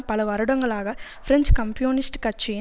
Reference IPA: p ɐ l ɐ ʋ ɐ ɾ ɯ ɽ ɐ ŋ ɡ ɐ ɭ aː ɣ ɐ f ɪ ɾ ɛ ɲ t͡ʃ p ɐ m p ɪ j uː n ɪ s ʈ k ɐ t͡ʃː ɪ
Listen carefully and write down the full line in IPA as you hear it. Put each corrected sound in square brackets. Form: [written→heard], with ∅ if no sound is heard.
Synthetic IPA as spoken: p ɐ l ɐ ʋ ɐ ɾ ɯ ɽ ɐ ŋ ɡ ɐ ɭ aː ɣ ɐ f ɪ ɾ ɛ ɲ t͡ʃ [p→k] ɐ m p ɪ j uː n ɪ s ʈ k ɐ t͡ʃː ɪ

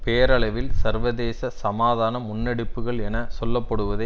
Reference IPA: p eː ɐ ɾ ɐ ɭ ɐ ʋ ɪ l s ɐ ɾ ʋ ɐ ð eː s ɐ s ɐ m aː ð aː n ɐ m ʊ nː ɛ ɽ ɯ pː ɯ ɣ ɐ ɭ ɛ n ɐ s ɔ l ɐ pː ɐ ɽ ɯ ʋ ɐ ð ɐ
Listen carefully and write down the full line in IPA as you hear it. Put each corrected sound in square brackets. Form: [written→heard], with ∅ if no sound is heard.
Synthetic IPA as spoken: p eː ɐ ɾ ɐ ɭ ɐ ʋ ɪ l s ɐ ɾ ʋ ɐ ð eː s ɐ s ɐ m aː ð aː n ɐ m ʊ nː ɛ ɽ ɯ pː ɯ ɣ ɐ ɭ ɛ n ɐ s ɔ [l→lː] ɐ pː ɐ ɽ ɯ ʋ ɐ ð ɐ

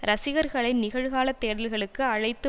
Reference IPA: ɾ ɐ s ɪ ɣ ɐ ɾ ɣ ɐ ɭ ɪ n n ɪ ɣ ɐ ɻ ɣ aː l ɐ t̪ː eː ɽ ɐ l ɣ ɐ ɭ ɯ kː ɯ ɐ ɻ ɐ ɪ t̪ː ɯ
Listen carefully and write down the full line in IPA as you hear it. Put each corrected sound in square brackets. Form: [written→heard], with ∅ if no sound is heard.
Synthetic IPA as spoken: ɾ ɐ s ɪ ɣ ɐ ɾ ɣ ɐ ɭ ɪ n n ɪ ɣ ɐ ɻ ɣ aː l ɐ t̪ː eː ɽ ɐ l ɣ ɐ ɭ ɯ kː ɯ ɐ ɻ ɐ ɪ t̪ː ɯ

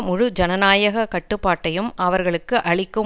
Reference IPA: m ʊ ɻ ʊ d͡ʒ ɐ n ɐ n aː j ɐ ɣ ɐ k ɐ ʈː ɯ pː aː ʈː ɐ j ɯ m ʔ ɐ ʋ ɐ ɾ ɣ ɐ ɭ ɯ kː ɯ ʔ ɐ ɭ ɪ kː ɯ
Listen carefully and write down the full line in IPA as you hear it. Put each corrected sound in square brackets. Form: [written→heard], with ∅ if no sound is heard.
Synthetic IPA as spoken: m ʊ ɻ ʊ d͡ʒ ɐ n ɐ n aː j ɐ ɣ ɐ k ɐ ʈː ɯ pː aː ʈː ɐ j ɯ m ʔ ɐ ʋ ɐ ɾ ɣ ɐ ɭ ɯ kː ɯ ʔ ɐ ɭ ɪ kː ɯ

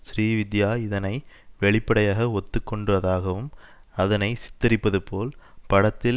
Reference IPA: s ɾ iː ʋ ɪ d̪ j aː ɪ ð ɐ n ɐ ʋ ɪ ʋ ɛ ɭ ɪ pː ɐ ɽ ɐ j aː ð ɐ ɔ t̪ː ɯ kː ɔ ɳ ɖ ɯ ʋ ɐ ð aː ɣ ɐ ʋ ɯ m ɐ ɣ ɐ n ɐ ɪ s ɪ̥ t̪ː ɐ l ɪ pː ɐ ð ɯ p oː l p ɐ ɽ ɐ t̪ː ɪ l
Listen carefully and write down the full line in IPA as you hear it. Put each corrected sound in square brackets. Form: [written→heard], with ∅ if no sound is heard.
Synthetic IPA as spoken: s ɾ iː ʋ ɪ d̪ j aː ɪ ð ɐ n ɐ [ʋ→∅] ɪ ʋ ɛ ɭ ɪ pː ɐ ɽ ɐ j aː [ð→ɣ] ɐ ɔ t̪ː ɯ kː ɔ ɳ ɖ ɯ ʋ ɐ ð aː ɣ ɐ ʋ ɯ m ɐ [ɣ→ð] ɐ n ɐ ɪ s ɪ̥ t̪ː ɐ [l→ɾ] ɪ pː ɐ ð ɯ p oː l p ɐ ɽ ɐ t̪ː ɪ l

